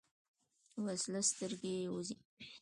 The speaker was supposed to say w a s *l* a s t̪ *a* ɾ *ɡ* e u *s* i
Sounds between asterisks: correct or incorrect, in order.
correct, incorrect, correct, incorrect

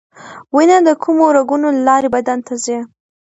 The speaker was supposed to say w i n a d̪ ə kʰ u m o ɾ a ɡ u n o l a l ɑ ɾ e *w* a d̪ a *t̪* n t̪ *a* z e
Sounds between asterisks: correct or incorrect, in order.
incorrect, incorrect, correct

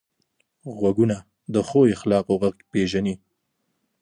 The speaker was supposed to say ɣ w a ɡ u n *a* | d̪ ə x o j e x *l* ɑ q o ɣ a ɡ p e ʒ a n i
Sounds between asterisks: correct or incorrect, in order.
correct, correct

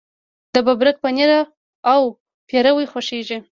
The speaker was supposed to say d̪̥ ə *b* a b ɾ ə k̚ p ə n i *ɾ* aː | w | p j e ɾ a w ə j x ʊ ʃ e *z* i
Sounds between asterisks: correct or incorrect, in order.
correct, correct, incorrect

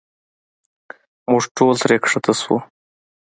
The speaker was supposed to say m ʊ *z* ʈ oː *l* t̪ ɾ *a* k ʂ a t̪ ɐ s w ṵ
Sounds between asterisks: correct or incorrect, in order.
incorrect, correct, incorrect

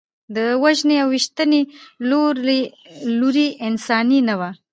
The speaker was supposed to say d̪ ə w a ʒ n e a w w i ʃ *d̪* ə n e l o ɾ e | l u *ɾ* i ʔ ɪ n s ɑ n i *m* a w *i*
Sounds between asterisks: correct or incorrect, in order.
incorrect, correct, incorrect, incorrect

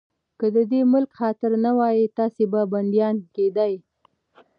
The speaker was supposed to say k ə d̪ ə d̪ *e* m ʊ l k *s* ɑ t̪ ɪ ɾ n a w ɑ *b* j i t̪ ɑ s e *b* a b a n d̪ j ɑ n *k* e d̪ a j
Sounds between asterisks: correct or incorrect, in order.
correct, incorrect, incorrect, correct, correct

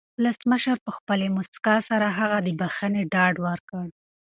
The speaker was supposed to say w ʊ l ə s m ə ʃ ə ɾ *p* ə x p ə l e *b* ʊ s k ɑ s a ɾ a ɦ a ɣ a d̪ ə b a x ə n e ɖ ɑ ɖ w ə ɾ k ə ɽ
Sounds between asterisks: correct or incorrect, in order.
correct, incorrect

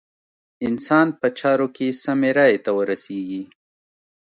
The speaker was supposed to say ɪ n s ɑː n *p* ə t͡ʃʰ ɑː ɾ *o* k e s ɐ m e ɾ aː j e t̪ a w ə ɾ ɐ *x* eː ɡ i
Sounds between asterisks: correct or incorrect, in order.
correct, correct, incorrect

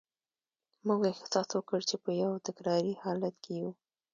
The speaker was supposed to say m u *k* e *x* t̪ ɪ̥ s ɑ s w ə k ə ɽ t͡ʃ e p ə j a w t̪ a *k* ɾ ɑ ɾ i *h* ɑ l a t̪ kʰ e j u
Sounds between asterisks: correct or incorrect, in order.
incorrect, correct, correct, correct

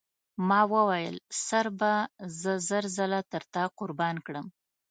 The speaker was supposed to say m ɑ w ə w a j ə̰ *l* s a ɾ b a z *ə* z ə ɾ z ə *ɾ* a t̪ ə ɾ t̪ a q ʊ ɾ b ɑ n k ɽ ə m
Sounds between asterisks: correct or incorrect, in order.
correct, correct, incorrect

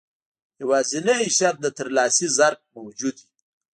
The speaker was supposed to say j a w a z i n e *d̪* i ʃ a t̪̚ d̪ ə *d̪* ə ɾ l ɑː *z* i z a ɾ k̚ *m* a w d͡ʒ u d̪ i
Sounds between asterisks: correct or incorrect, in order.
incorrect, incorrect, incorrect, correct

